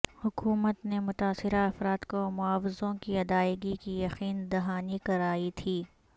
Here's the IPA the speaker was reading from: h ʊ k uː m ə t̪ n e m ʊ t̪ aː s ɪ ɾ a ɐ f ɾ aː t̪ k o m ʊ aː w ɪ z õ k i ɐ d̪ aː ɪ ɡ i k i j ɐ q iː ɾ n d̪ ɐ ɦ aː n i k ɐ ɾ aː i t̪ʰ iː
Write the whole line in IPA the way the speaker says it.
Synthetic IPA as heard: h ʊ k uː m ə t̪ n e m ʊ t̪ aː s ɪ ɾ a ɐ f ɾ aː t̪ k o m ʊ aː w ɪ z õ k i ɐ d̪ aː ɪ ɡ i k i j ɐ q iː n d̪ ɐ ɦ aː n i k ɐ ɾ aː i t̪ʰ iː